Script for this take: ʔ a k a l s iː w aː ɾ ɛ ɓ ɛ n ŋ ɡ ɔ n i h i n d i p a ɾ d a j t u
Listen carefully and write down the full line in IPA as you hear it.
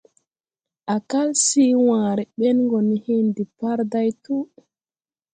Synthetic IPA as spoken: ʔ a k a l s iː w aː ɾ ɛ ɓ ɛ n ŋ ɡ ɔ n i h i n d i p a ɾ d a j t u